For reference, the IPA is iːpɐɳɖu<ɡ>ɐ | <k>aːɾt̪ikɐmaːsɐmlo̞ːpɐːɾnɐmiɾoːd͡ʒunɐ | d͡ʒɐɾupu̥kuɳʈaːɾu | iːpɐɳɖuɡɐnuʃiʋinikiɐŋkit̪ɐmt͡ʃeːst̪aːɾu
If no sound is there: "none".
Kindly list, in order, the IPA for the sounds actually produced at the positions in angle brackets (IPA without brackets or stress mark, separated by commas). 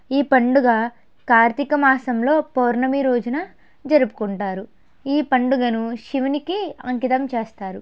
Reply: ɡ, k